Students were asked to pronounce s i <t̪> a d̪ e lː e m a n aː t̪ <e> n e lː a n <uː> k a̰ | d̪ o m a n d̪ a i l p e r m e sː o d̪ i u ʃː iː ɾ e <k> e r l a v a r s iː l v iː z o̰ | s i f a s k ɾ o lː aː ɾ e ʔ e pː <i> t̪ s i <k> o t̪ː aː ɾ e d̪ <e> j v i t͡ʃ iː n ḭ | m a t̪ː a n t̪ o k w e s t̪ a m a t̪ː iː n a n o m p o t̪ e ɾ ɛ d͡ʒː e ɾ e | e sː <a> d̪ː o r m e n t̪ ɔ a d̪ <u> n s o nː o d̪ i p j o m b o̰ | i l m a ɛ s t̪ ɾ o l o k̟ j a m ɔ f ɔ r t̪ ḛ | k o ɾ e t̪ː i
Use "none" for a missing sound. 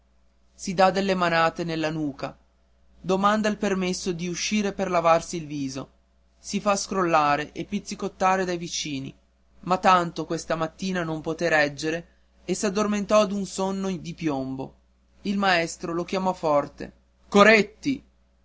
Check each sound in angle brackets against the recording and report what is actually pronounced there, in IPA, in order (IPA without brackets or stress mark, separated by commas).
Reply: d̪, e, uː, p, i, k, a, a, u